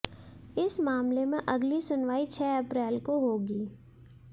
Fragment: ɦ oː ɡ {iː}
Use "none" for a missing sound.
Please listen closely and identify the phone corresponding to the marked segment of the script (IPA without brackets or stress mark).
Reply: iː